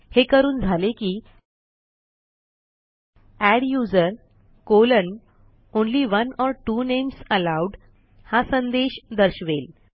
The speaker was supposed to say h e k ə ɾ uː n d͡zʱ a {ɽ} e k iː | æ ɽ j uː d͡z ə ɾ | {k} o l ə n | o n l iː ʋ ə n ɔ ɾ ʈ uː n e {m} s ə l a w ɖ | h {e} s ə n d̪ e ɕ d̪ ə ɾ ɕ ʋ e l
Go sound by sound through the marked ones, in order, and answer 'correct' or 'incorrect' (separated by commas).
incorrect, correct, correct, incorrect